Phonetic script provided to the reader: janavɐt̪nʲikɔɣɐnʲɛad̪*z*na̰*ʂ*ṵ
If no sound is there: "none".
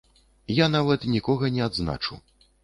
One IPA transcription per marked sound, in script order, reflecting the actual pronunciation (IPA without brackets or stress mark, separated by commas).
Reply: z, t͡ʂ